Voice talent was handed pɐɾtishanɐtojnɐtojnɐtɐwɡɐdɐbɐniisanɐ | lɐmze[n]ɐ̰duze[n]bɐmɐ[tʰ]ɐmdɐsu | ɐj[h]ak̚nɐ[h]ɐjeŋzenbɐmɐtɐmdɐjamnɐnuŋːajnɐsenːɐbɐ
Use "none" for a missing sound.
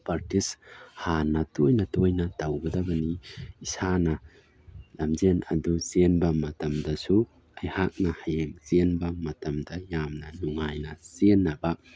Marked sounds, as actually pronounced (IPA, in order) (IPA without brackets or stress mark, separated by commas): n, n, t, h, h